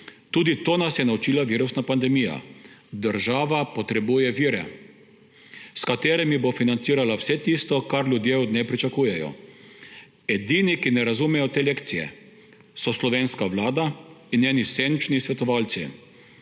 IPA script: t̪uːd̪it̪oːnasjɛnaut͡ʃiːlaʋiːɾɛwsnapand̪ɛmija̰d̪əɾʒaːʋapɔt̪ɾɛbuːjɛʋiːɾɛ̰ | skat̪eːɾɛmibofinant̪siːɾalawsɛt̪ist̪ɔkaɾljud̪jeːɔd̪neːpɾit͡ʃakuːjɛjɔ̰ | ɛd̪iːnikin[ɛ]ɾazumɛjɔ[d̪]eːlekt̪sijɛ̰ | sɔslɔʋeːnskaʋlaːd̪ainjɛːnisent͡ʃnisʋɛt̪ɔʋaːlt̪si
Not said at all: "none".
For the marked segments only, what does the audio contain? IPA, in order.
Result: ɛ, t̪

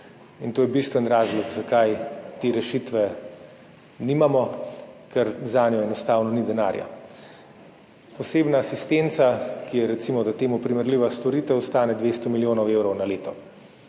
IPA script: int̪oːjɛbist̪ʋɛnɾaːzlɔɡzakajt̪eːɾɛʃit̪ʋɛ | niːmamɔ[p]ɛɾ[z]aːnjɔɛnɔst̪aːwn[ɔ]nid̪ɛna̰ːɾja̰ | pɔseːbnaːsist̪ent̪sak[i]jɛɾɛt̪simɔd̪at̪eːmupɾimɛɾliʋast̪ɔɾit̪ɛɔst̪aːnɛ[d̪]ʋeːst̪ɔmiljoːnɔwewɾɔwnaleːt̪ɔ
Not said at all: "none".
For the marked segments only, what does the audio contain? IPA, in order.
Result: k, z, ɔ, i, d̪

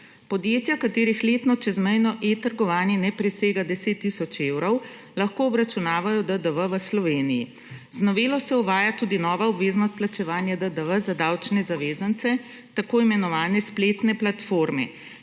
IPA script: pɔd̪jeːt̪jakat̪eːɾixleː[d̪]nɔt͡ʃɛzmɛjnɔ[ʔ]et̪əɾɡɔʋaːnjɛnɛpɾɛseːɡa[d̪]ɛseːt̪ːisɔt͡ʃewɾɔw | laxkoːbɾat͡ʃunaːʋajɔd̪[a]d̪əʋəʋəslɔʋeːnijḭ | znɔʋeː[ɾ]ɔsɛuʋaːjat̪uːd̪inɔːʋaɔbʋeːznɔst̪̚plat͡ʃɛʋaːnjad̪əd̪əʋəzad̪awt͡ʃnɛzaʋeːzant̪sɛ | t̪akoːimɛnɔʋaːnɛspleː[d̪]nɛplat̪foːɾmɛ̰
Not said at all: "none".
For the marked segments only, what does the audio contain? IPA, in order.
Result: t̪, ʔ, d̪, ə, l, t̪

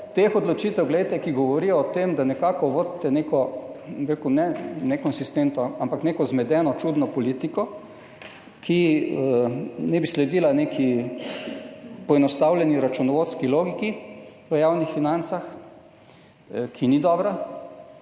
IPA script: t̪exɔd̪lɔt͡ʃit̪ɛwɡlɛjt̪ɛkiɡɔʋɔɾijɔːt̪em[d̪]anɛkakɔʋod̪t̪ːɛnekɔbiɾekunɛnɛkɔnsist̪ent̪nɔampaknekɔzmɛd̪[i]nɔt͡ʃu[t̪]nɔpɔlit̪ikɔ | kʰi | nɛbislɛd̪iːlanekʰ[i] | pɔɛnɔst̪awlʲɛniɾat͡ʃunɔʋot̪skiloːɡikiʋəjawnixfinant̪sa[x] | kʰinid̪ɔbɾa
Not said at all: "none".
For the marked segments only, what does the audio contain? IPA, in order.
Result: d̪, ɛ, d̪, i, x

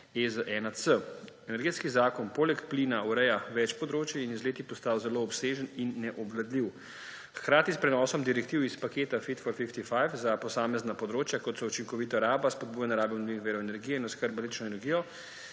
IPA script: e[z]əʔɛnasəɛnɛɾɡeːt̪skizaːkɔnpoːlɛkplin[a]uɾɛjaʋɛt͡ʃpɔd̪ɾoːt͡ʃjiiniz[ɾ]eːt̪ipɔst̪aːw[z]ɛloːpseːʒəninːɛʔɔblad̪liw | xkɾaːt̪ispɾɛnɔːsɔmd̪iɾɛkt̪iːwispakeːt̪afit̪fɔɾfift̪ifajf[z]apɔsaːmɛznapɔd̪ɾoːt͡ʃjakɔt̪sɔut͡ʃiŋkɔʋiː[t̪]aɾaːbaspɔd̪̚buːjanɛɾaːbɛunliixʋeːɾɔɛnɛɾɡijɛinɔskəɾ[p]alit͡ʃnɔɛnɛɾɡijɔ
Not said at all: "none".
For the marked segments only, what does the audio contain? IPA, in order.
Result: z, a, l, z, z, t̪, b

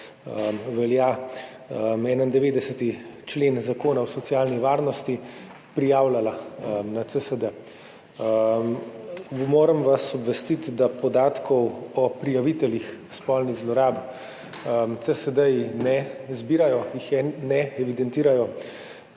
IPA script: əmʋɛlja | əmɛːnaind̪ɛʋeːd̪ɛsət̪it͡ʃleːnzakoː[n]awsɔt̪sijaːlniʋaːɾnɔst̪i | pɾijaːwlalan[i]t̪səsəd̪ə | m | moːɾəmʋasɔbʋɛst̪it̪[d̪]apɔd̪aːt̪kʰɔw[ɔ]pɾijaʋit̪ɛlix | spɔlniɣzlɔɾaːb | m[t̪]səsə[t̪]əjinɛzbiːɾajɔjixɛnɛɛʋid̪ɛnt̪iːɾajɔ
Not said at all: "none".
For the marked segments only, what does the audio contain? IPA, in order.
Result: n, a, d̪, ɔ, t̪, d̪

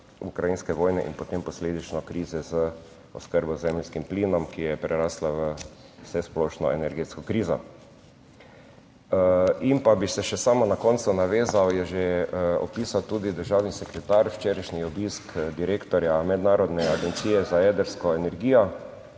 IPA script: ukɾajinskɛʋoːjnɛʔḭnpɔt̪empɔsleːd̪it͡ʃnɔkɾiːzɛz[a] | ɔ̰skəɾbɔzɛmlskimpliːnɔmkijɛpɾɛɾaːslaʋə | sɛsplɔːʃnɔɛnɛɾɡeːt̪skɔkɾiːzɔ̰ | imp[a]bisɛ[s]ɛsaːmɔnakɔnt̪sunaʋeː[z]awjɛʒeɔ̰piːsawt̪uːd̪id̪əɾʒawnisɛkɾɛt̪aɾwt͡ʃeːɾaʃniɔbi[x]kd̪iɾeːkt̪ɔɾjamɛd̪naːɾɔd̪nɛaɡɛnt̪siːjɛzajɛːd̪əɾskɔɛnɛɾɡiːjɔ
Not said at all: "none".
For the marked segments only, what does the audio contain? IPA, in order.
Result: ə, a, ʃ, z, s

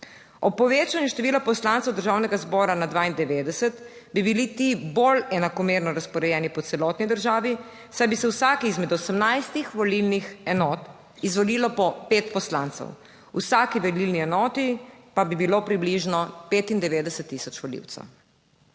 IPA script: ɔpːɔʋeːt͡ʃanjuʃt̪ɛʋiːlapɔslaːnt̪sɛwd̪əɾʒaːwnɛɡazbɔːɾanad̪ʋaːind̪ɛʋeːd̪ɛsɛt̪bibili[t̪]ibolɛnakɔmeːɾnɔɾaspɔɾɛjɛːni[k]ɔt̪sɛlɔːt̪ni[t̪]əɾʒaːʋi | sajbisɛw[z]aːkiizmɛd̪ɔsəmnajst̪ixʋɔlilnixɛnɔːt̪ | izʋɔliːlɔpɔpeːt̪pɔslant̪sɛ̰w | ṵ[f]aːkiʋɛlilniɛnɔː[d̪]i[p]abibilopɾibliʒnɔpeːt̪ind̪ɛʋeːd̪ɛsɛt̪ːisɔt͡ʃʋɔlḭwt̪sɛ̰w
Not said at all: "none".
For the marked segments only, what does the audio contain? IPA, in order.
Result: t̪, p, d̪, s, s, t̪, p

